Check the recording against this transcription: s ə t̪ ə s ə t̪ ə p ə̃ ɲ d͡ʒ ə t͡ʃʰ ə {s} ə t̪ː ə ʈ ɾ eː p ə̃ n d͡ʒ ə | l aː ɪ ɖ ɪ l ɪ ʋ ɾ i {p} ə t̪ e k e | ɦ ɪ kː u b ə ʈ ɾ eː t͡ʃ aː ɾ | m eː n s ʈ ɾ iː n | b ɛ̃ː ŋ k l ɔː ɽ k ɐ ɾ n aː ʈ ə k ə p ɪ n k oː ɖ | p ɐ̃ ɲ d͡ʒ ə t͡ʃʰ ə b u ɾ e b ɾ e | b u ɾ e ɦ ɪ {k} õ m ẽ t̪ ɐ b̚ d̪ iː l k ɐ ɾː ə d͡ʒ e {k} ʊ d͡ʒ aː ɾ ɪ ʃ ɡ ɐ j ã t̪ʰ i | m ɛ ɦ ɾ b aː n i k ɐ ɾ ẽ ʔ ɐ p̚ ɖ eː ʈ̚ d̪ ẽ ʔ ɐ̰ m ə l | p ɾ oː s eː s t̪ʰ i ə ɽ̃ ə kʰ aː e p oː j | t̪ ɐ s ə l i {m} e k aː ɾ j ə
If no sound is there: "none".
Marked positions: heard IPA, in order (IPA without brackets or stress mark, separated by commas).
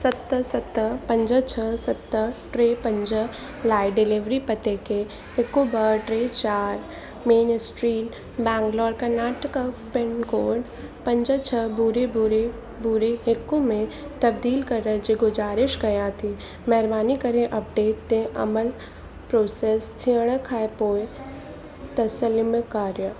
s, p, k, ɡ, m